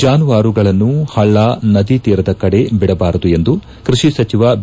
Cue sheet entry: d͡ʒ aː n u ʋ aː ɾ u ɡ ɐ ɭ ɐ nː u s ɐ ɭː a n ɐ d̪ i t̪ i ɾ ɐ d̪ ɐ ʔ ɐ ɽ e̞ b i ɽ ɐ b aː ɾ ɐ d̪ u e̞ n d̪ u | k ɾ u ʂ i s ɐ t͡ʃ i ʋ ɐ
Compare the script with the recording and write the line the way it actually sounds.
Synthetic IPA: d͡ʒ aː n u ʋ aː ɾ u ɡ ɐ ɭ ɐ nː u h ɐ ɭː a n ɐ d̪ i t̪ iː ɾ ɐ d̪ ɐ k ɐ ɽ e̞ b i ɽ ɐ b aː ɾ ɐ d̪ u e̞ n d̪ u | k ɾ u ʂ i s ɐ t͡ʃ i ʋ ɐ